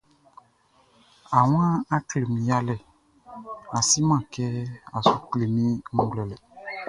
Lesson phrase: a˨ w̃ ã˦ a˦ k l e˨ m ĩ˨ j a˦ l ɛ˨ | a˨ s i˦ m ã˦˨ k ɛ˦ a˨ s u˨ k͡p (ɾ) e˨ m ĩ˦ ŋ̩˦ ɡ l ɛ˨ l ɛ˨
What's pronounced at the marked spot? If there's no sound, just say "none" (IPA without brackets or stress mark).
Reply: l